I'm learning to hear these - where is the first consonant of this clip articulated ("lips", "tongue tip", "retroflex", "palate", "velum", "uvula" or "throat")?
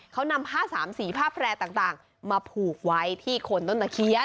velum